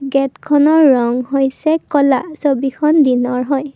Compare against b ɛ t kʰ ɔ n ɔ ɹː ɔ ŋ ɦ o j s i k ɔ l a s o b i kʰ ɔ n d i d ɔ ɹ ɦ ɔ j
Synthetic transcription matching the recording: ɡ ɛ t kʰ ɔ n ɔ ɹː ɔ ŋ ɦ o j s ɛ k ɔ l a s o b i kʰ ɔ n d i n ɔ ɹ ɦ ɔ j